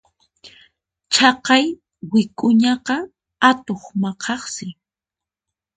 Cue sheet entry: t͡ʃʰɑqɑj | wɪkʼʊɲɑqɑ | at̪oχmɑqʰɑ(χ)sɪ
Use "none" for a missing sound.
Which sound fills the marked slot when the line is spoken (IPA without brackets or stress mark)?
χ